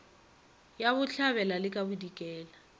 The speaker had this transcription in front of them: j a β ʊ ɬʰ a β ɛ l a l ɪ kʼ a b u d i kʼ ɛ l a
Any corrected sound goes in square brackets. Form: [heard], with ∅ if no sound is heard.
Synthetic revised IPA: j a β ʊ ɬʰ a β ɛ l a l ɪ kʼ a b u d i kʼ [ɛː] l a